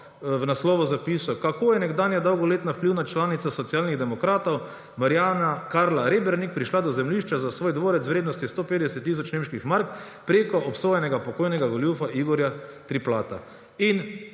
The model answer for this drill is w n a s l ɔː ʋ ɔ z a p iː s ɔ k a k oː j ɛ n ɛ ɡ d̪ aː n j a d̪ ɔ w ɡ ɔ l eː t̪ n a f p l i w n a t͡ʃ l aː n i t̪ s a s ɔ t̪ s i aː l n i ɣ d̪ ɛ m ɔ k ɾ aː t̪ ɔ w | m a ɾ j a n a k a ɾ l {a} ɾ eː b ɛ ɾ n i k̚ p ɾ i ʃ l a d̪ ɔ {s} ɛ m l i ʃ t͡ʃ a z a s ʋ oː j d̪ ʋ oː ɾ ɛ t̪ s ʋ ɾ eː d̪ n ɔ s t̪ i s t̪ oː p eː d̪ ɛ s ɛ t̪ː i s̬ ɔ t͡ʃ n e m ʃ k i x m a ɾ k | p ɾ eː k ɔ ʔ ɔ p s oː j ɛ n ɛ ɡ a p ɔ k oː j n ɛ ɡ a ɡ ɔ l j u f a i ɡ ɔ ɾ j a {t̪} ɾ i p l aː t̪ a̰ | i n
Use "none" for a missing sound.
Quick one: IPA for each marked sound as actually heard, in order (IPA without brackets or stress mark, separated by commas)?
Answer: a, z, t̪